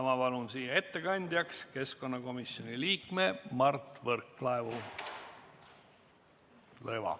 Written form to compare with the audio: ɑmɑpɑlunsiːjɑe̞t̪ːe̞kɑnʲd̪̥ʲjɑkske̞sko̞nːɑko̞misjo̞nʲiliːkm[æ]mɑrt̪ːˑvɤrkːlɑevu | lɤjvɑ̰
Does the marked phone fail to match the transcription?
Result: yes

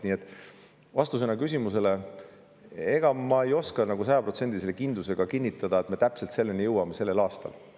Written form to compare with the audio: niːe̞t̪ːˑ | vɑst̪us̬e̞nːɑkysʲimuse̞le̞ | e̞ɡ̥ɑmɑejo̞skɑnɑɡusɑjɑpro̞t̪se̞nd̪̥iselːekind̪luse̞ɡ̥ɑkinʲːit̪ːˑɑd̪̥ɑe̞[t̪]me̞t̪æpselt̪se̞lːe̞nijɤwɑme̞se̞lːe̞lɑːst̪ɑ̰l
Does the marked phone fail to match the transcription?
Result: no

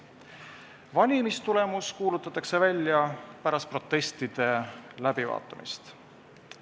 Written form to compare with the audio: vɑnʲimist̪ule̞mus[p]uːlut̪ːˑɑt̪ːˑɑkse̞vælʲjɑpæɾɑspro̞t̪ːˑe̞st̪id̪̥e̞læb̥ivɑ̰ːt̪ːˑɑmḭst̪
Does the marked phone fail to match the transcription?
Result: yes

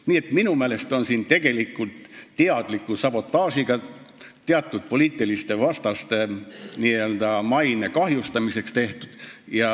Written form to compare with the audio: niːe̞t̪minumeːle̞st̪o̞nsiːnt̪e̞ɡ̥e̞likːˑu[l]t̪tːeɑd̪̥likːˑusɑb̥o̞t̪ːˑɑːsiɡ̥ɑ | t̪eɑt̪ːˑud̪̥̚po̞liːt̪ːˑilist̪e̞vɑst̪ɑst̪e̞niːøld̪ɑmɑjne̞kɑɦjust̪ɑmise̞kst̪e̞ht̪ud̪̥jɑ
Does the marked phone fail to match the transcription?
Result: no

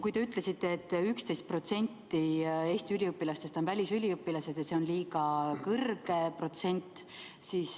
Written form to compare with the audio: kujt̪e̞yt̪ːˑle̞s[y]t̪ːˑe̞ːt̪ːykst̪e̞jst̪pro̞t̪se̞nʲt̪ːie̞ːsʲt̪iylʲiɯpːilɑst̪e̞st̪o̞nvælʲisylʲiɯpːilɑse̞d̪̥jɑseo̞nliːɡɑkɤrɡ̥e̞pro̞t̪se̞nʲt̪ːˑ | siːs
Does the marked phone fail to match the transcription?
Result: yes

